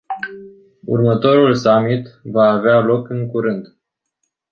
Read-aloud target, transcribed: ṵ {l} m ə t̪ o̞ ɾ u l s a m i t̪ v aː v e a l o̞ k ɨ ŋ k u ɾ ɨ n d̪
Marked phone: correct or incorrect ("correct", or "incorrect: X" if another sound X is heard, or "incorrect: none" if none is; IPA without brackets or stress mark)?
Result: incorrect: r